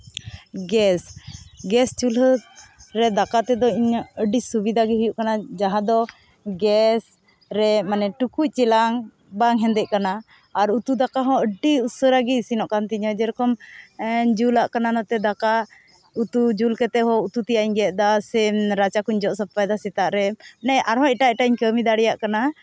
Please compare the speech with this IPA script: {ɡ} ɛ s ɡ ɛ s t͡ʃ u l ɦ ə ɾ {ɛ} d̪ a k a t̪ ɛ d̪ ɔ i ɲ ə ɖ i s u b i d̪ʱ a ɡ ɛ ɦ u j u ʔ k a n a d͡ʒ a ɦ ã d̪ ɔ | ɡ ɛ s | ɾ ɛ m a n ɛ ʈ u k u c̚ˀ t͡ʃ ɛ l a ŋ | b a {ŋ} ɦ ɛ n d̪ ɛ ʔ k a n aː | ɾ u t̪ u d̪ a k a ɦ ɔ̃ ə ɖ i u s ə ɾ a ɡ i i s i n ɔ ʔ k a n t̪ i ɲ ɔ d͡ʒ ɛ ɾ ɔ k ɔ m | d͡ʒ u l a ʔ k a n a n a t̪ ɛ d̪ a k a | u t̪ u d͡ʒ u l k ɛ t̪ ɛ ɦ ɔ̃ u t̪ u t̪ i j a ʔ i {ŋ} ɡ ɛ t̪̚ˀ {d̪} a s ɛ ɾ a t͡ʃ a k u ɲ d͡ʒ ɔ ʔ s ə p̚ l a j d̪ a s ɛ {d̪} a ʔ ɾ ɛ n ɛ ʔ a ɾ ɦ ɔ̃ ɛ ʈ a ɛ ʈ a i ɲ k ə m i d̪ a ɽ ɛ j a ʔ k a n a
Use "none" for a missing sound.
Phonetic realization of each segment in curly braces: ɡ, ɛ, ŋ, ɲ, d̪, t̪

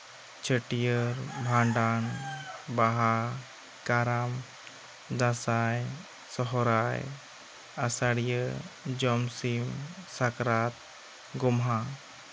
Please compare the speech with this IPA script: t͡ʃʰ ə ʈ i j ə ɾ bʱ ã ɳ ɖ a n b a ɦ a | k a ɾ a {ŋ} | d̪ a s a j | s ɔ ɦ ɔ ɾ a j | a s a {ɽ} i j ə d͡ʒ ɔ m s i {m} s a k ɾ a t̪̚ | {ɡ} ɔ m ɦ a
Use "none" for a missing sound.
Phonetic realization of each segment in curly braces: m, ɽ, m, ɡ

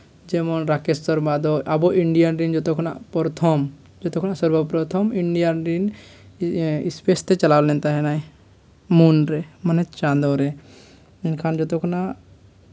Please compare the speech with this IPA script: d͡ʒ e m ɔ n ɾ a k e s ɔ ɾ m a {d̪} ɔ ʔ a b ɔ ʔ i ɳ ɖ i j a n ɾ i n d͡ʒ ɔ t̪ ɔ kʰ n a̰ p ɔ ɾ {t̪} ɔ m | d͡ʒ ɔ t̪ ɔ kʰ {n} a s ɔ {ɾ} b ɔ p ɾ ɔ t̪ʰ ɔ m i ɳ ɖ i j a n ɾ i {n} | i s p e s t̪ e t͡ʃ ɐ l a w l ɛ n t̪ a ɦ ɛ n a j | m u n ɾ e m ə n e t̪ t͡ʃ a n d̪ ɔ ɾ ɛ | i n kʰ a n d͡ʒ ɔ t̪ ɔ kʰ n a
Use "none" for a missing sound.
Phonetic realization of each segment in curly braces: d̪, t̪ʰ, n, ɾ, n

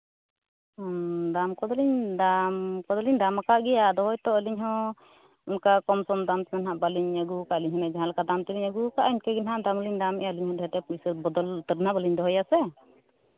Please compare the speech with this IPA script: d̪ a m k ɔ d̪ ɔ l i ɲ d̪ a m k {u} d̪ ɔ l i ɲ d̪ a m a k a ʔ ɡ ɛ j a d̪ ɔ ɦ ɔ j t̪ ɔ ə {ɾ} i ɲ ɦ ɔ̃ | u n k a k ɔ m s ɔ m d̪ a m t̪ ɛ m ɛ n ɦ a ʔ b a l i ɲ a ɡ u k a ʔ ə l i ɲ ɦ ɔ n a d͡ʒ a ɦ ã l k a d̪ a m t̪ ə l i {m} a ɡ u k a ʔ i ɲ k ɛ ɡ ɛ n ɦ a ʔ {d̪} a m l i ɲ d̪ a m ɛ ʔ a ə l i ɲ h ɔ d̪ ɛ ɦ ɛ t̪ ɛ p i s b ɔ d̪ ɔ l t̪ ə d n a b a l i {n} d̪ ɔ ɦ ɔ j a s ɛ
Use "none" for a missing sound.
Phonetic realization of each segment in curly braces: ɔ, l, ɲ, d̪, ɲ

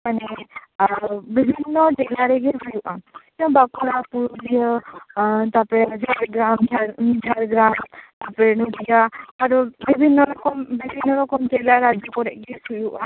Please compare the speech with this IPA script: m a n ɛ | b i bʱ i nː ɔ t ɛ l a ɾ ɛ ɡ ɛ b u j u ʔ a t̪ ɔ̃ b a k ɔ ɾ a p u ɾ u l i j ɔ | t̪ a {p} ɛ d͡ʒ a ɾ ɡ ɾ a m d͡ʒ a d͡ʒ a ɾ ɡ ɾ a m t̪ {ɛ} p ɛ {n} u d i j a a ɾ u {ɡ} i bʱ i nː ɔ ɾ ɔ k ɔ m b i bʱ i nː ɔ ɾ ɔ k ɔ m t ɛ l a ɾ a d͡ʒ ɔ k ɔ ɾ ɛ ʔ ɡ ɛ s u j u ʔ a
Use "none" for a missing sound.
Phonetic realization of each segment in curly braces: p, a, n, b

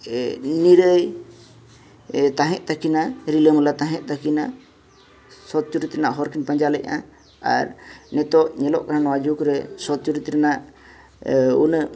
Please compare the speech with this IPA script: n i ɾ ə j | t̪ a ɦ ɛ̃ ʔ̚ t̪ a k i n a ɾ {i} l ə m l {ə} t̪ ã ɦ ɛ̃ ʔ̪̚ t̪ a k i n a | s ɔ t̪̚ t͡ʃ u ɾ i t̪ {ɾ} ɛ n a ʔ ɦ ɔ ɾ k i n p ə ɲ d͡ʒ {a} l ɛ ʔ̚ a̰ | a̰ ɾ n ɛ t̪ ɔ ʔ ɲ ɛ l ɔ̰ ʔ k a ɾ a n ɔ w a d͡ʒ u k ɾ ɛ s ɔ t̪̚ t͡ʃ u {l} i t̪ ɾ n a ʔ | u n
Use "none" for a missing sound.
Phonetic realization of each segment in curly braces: i, a, ɾ, a, ɾ

